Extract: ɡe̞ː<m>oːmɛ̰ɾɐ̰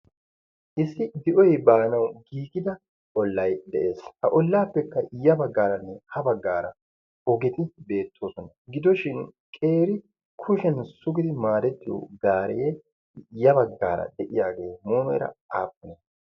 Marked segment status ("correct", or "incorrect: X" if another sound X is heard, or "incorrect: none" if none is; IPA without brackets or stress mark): correct